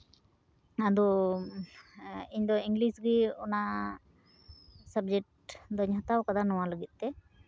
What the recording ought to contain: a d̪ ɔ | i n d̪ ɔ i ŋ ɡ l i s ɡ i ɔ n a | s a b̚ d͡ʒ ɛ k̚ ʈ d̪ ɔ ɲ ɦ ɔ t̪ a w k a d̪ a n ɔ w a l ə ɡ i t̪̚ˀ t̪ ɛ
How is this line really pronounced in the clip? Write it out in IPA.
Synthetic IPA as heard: a d̪ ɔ | i ɲ d̪ ɔ i ŋ ɡ l i s ɡ i ɔ n a | s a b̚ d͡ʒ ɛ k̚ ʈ d̪ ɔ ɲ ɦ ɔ t̪ a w k a d̪ a n ɔ w a l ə ɡ i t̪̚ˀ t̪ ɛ